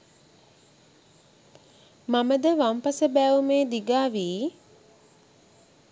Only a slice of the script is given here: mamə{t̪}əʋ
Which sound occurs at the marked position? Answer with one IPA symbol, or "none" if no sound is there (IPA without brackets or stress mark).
d̪